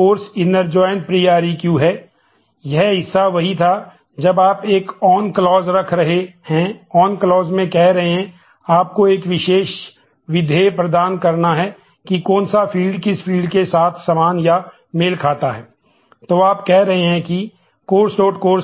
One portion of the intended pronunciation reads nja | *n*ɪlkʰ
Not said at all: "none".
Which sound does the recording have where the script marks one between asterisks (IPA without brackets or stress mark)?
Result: m